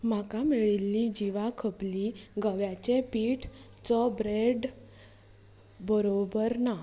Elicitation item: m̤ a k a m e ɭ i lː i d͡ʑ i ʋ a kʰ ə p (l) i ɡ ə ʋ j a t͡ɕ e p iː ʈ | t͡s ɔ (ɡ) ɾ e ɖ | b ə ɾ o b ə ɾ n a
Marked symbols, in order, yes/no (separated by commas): yes, no